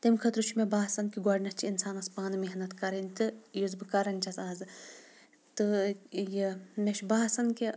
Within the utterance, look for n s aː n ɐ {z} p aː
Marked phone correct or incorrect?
incorrect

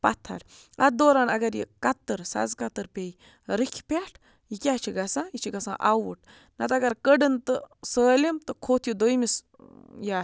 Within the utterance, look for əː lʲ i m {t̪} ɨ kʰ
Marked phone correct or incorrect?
correct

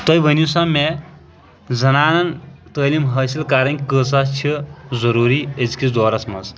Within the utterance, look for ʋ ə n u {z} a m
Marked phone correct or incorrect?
incorrect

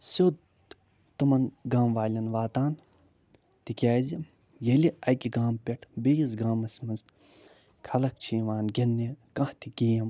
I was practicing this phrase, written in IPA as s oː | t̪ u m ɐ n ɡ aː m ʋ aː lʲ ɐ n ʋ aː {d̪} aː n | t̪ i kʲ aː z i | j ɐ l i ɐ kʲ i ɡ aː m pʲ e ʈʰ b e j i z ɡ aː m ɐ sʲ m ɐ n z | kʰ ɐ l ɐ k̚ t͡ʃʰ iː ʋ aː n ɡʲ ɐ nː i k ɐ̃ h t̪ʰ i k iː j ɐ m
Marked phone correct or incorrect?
incorrect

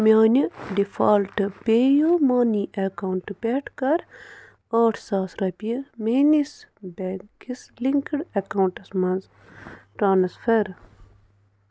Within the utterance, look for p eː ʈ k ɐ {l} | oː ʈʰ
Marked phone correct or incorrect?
incorrect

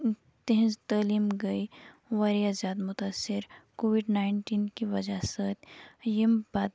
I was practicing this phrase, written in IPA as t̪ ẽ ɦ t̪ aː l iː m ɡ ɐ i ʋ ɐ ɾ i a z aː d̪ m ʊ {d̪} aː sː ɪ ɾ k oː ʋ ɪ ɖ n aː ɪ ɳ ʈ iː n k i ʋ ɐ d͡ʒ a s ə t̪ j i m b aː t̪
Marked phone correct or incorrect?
incorrect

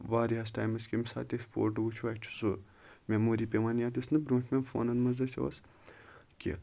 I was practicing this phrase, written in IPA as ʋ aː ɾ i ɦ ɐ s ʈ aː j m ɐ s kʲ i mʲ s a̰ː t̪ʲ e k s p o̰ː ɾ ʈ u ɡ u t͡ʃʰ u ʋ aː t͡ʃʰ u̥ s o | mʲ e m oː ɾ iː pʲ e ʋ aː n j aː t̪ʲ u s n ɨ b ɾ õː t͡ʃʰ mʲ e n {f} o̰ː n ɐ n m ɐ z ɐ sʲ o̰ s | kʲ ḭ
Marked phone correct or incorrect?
correct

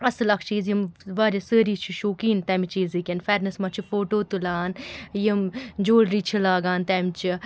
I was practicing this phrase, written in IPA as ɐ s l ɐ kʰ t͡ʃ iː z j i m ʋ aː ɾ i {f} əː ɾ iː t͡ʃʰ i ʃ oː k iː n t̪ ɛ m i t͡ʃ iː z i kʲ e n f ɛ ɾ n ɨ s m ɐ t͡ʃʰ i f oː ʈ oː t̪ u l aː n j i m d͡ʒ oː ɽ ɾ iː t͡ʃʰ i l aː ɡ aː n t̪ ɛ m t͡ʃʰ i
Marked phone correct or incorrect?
incorrect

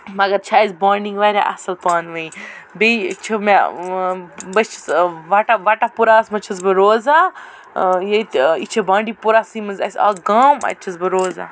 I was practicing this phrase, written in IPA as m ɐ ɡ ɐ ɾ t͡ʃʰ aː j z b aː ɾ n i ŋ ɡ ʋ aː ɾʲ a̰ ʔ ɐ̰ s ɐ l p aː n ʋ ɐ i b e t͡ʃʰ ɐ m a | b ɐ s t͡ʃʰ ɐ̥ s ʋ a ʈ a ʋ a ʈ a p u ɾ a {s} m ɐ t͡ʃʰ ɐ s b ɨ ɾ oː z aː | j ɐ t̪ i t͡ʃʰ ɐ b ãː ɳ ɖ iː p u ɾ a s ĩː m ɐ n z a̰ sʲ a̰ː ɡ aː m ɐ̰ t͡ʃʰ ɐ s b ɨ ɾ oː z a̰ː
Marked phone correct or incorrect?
correct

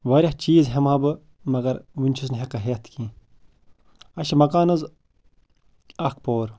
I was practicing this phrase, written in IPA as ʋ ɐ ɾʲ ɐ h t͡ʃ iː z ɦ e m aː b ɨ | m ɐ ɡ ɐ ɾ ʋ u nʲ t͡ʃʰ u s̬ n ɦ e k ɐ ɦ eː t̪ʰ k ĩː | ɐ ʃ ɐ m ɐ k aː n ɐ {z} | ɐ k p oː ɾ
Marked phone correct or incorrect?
correct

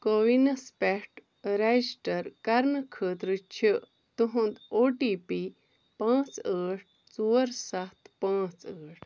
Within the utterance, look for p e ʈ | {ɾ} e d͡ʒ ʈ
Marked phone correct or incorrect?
correct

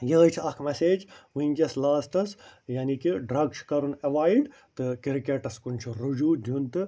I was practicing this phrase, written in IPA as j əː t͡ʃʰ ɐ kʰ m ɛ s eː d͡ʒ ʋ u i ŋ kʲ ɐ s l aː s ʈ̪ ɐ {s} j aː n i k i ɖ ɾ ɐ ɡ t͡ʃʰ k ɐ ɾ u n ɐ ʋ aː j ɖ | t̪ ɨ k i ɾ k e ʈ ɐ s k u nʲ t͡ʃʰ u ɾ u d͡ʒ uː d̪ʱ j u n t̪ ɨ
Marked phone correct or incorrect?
correct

